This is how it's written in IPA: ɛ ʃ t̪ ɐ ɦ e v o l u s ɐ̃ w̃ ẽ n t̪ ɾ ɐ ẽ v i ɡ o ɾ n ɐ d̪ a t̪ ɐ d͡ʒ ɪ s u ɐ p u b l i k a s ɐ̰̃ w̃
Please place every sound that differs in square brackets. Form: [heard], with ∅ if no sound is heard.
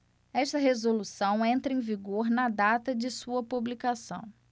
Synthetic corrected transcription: ɛ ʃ t̪ ɐ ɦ e [z] o l u s ɐ̃ w̃ ẽ n t̪ ɾ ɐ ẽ v i ɡ o ɾ n ɐ d̪ a t̪ ɐ d͡ʒ ɪ s u ɐ p u b l i k a s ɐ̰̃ w̃